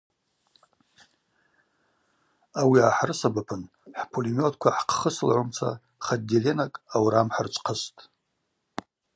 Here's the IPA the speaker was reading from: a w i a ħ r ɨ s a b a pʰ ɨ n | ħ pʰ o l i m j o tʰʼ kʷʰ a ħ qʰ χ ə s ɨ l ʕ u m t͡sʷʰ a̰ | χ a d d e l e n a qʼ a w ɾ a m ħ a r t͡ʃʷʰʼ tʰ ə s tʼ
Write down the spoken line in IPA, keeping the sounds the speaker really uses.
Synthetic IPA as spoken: a w i a ħ r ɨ s a b a pʰ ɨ n | ħ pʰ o l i m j o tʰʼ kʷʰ a ħ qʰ χ ə s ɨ l ʕ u m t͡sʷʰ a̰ | χ a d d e l e n a kʼ a w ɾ a m ħ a r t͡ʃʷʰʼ qʰ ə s tʼ